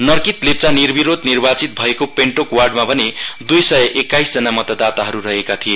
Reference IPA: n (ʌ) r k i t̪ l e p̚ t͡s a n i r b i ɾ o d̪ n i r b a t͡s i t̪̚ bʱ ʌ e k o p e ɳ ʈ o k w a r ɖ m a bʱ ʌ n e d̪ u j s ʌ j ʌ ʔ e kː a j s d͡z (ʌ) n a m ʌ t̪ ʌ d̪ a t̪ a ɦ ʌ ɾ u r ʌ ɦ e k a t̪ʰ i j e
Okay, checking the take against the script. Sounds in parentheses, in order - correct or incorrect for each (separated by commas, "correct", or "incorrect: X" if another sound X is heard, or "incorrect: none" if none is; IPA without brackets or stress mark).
correct, correct